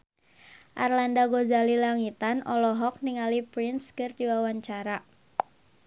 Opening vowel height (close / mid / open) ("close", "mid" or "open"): open